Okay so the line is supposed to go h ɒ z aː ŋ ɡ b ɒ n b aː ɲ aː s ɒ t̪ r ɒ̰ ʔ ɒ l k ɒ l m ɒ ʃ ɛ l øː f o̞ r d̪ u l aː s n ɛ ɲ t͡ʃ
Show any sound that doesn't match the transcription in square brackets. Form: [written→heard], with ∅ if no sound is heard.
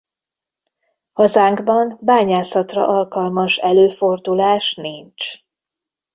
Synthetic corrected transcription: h ɒ z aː ŋ ɡ b ɒ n b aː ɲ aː s ɒ t̪ r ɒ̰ ʔ ɒ l k ɒ l m ɒ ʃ ɛ l øː f o̞ r d̪ u l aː [s→ʃ] n [ɛ→i] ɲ t͡ʃ